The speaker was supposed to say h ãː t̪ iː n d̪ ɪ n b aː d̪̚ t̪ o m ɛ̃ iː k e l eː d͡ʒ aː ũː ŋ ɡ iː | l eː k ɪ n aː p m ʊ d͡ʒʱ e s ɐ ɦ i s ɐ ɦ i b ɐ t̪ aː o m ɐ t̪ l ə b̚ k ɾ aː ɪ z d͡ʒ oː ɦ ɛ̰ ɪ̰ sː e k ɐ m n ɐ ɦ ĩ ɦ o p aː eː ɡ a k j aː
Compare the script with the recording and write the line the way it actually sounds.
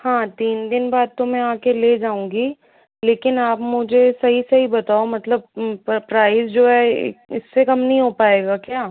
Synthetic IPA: h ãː t̪ iː n d̪ ɪ n b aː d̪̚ t̪ o m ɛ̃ aː k e l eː d͡ʒ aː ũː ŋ ɡ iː | l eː k ɪ n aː p m ʊ d͡ʒʱ e s ɐ ɦ i s ɐ ɦ i b ɐ t̪ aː o m ɐ t̪ l ə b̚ p ɾ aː ɪ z d͡ʒ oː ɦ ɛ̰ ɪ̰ sː e k ɐ m n ɐ ɦ ĩ ɦ o p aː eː ɡ a k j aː